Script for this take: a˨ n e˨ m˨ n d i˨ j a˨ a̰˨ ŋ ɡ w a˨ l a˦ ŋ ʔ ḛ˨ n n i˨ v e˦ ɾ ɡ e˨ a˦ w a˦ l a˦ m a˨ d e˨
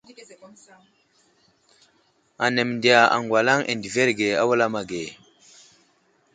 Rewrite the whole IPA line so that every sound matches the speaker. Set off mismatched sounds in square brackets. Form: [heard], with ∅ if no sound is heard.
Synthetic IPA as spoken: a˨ n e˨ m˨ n d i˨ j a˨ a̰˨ ŋ ɡ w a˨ l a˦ ŋ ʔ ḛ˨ n [d] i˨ v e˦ ɾ ɡ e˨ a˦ w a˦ l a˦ m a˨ [ɡ] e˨